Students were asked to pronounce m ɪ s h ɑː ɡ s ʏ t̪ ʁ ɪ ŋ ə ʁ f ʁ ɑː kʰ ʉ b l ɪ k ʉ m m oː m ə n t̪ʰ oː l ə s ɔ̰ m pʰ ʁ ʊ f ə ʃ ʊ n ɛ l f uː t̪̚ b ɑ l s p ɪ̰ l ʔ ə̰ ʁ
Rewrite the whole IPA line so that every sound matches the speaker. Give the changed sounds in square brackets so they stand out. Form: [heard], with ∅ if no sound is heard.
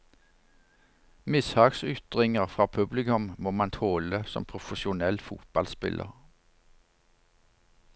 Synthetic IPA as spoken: m ɪ s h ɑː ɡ s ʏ t̪ ʁ ɪ ŋ ə ʁ f ʁ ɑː [pʰ] ʉ b l ɪ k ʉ m m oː m [ɑ] n t̪ʰ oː l ə s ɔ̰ m pʰ ʁ ʊ f ə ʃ ʊ n ɛ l f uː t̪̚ b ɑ l s p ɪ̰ l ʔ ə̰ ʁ